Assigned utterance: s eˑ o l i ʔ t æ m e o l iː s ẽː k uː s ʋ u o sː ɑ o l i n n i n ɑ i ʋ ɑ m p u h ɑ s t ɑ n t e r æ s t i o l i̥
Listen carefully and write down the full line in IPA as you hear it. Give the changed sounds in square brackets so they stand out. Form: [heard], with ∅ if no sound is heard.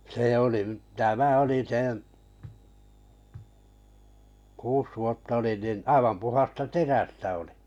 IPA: s eˑ o l i ʔ t æ m [æ] o l [i] s ẽː k uː s ʋ u o [tː] ɑ o l i n n i n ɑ i ʋ ɑ m p u h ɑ s t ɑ [∅] t e r æ s t [æ] o l i̥